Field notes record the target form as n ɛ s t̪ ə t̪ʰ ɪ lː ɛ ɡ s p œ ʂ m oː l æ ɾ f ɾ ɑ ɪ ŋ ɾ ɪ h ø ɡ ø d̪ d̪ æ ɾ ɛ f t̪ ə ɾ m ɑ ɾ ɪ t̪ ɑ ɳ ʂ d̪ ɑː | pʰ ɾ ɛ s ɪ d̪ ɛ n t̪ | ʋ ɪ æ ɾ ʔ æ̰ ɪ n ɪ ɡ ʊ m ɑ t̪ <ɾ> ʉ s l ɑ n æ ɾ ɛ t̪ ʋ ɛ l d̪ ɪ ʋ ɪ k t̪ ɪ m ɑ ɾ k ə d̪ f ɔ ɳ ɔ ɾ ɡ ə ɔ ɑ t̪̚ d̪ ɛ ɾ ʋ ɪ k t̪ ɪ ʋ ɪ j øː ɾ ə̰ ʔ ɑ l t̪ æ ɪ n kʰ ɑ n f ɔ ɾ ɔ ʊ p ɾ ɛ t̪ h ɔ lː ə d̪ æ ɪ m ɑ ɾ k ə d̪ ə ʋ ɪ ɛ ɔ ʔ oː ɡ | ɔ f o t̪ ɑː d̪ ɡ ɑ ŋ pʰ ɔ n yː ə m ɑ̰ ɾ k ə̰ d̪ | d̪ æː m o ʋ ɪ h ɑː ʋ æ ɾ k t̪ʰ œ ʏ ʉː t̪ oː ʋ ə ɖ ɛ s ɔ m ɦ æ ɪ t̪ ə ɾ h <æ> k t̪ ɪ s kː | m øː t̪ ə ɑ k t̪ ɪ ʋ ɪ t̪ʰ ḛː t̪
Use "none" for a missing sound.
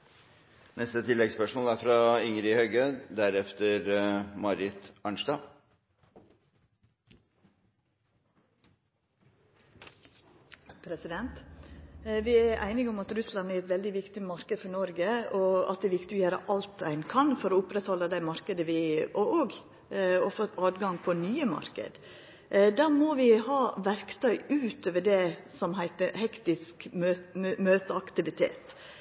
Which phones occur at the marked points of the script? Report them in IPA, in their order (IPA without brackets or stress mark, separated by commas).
ɾ, ɛ